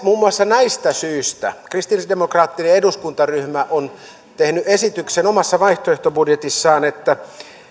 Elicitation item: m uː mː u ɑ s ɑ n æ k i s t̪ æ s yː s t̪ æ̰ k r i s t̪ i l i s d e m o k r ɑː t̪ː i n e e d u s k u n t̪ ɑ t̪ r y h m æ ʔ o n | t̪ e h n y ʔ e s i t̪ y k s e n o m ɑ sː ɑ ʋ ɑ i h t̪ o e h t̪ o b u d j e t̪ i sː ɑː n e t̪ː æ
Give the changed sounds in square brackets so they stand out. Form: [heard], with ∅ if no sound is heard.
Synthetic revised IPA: m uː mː u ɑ [sː] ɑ n æ [∅] i s t̪ æ s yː s t̪ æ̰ k r i s t̪ i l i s d e m o k r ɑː t̪ː i n e e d u s k u n t̪ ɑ [∅] r y h m æ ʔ o n | t̪ e h n y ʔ e s i t̪ y k s e n o m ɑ sː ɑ ʋ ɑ i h t̪ o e h t̪ o b u d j e t̪ i sː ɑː n e t̪ː æ